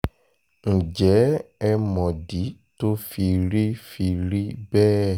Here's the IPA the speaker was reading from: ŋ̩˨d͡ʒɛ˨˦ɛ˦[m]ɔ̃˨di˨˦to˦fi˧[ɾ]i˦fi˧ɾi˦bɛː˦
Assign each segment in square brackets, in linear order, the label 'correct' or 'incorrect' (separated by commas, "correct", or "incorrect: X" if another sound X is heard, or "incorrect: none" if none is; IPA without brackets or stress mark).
correct, correct